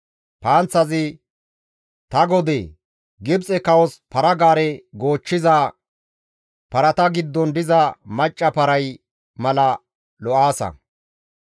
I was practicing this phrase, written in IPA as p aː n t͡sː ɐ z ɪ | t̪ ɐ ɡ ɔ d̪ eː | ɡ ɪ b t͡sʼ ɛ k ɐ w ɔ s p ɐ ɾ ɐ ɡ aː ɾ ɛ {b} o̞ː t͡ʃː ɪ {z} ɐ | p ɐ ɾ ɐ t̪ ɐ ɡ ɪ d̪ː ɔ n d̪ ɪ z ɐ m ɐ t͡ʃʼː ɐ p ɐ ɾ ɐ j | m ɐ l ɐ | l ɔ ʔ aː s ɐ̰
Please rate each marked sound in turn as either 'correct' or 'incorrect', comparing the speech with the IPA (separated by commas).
incorrect, correct